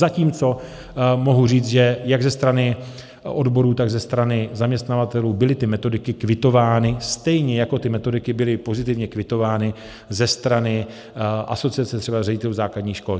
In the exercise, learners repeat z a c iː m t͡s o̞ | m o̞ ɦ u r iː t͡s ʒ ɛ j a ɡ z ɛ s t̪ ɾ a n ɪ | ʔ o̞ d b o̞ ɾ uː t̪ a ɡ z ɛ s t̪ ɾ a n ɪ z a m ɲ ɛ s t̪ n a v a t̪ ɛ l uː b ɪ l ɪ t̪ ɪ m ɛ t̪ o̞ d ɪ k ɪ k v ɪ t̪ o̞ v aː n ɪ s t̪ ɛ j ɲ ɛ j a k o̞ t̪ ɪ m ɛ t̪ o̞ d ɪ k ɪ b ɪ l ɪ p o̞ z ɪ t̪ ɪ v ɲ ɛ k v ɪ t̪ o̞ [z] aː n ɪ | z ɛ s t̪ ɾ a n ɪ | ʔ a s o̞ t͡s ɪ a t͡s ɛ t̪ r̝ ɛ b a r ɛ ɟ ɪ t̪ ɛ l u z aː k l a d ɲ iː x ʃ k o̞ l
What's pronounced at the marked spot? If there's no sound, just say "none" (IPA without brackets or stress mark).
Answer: v